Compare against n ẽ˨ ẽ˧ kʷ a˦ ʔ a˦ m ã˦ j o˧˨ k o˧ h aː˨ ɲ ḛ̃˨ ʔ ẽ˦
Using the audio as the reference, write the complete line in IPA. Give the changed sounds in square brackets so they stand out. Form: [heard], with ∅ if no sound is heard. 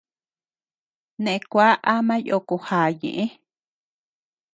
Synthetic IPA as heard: n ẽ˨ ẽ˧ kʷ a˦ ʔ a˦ m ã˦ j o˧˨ k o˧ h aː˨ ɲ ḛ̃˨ ʔ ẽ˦